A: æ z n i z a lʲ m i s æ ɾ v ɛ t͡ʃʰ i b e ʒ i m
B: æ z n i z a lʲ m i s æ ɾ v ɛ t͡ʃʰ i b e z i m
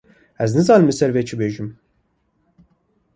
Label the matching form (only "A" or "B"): A